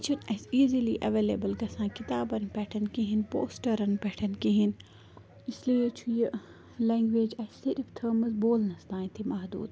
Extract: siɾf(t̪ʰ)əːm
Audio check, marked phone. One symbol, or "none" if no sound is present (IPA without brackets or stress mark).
t̪ʰ